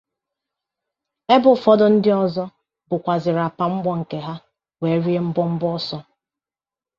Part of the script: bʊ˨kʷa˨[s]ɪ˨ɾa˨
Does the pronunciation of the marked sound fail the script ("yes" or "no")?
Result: yes